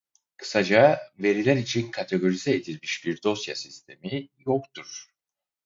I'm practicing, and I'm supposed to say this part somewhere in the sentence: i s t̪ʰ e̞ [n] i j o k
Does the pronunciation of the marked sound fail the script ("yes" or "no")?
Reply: yes